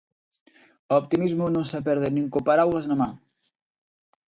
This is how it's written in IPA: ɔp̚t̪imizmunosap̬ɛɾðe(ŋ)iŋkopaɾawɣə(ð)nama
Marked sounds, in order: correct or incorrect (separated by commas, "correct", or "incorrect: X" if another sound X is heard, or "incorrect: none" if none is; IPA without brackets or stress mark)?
incorrect: n, incorrect: z